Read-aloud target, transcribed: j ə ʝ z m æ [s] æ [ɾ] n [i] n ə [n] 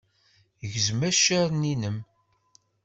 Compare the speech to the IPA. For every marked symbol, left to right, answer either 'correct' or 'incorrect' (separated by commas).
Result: incorrect, correct, correct, incorrect